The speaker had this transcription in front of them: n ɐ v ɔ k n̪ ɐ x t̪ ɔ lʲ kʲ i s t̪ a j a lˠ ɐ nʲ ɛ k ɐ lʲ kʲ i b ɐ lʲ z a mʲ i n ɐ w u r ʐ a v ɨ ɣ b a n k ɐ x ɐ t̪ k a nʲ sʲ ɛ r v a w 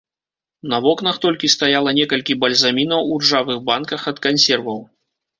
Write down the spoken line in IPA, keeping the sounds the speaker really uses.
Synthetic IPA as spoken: n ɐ v ɔ k n̪ ɐ x t̪ ɔ lʲ kʲ i s t̪ a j a lˠ ɐ nʲ ɛ k ɐ lʲ kʲ i b ɐ lʲ z a mʲ i n ɐ w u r ʐ a v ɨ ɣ b a n k ɐ x ɐ t̪ k a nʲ sʲ ɛ r v ɐ w

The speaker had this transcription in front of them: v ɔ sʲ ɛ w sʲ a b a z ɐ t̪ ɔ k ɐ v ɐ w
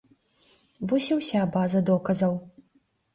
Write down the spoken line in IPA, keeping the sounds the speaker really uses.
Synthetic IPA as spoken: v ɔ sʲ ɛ w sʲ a b a z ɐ d̪ ɔ k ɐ z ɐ w

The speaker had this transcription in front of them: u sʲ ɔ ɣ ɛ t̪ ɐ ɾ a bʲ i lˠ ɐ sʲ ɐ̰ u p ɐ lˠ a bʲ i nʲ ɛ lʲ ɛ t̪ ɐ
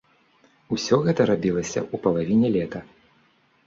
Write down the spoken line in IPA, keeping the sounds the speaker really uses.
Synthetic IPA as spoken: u sʲ ɔ ɣ ɛ t̪ ɐ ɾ a bʲ i lˠ ɐ sʲ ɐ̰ u p ɐ lˠ a vʲ i nʲ ɛ lʲ ɛ t̪ ɐ

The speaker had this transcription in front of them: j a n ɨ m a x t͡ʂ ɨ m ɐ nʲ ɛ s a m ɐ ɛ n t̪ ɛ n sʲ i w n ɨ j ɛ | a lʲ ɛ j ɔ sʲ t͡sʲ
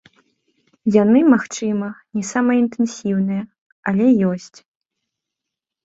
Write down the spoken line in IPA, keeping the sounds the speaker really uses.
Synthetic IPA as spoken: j a n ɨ m a x t͡ʂ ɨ m ɐ nʲ ɛ s a m ɐ i n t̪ ɛ n sʲ i w n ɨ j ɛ | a lʲ ɛ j ɔ sʲ t͡sʲ

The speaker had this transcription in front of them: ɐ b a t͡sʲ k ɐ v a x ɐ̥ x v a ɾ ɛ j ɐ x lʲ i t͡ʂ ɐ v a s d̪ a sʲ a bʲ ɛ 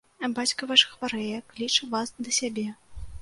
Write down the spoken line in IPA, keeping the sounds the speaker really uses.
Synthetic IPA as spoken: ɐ b a t͡sʲ k ɐ v a ʂ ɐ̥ x v a ɾ ɛ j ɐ k lʲ i t͡ʂ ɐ v a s d̪ ɐ sʲ a bʲ ɛ

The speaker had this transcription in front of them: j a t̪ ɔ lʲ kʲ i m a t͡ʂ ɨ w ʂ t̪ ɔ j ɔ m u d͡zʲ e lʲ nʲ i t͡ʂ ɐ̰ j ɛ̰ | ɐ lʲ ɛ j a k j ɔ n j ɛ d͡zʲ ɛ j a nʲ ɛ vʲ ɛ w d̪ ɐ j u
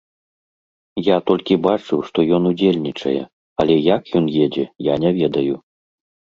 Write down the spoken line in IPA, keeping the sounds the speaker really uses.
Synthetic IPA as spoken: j a t̪ ɔ lʲ kʲ i b a t͡ʂ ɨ w ʂ t̪ ɔ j ɔ n u d͡zʲ e lʲ nʲ i t͡ʂ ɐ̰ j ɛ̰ | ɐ lʲ ɛ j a k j ɔ n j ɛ d͡zʲ ɛ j a nʲ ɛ vʲ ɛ d̪ ɐ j u

